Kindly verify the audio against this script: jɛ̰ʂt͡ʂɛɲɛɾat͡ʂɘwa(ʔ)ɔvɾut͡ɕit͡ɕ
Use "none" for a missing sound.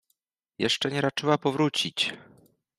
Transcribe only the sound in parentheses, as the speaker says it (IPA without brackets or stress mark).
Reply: p